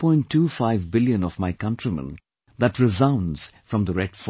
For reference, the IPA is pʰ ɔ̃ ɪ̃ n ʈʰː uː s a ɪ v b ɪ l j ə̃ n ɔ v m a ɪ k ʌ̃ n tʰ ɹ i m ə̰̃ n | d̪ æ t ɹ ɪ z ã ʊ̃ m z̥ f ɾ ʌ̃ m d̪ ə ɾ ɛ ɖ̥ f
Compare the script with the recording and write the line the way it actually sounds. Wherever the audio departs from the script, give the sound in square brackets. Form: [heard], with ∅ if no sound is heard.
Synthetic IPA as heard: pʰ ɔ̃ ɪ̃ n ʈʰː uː [f] a ɪ v b ɪ l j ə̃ n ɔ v m a ɪ k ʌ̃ n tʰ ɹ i m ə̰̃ n | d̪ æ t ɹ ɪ z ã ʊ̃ [n] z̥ f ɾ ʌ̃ m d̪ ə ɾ ɛ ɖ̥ f

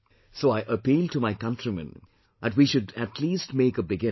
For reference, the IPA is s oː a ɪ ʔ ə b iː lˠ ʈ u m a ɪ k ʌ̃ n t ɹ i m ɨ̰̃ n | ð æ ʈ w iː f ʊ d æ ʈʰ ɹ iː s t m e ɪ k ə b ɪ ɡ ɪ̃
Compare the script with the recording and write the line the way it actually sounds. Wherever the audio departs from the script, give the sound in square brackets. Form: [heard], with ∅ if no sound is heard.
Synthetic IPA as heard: s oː a ɪ ʔ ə [p] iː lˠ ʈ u m a ɪ k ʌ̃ n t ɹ i m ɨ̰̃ n | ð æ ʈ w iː [ʃ] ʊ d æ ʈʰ [l] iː s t m e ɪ k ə b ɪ ɡ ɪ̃

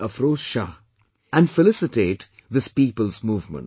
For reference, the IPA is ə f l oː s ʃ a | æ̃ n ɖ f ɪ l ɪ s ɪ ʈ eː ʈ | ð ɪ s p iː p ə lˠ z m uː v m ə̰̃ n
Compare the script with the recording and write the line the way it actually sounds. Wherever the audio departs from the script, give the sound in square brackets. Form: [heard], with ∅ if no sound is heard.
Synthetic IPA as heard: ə f [ɾ] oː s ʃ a | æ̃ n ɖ f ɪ l ɪ s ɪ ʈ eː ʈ | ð ɪ s p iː p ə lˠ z m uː v m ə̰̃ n

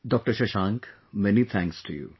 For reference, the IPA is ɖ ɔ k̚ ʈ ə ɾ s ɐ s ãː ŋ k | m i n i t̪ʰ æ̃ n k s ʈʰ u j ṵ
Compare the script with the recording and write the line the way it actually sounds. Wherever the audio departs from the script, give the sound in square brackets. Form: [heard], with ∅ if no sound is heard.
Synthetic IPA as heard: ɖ ɔ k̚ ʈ ə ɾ [ʃ] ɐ [ʃ] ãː ŋ k | m [ɛ] n i t̪ʰ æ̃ [ŋ] k s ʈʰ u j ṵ

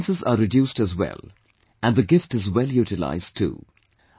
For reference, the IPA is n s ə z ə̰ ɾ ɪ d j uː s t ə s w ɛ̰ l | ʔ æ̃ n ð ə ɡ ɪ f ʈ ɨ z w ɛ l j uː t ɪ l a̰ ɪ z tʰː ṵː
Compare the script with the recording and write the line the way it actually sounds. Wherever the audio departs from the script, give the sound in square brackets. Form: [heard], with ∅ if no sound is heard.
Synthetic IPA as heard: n s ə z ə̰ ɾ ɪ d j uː s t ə [z] w ɛ̰ l | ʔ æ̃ n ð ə ɡ ɪ f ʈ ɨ z w ɛ l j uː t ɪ l a̰ ɪ z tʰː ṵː

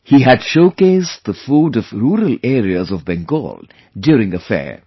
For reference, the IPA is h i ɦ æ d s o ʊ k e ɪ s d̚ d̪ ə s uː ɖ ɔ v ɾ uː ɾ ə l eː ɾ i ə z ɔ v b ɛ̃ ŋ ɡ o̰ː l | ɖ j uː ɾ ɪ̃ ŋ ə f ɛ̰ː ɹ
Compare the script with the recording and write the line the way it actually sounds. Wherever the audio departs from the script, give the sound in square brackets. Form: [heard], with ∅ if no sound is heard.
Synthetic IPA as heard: h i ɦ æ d [ʃ] o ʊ k e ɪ s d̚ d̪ ə [f] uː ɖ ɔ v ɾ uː ɾ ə l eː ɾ i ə z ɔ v b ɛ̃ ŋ ɡ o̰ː l | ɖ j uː ɾ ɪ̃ ŋ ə f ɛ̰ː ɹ

